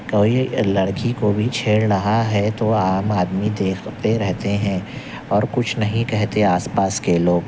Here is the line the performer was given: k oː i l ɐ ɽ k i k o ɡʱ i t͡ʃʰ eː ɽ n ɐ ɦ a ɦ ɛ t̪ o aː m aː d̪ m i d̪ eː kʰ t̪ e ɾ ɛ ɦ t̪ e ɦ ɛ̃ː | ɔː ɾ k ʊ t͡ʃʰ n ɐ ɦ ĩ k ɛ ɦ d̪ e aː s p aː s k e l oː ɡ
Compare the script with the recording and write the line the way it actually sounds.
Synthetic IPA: k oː i l ɐ ɽ k i k o bʱ i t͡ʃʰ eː ɽ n ɐ ɦ a ɦ ɛ t̪ o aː m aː d̪ m i d̪ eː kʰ t̪ e ɾ ɛ ɦ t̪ e ɦ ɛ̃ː | ɔː ɾ k ʊ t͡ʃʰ n ɐ ɦ ĩ k ɛ ɦ t̪ e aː s p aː s k e l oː ɡ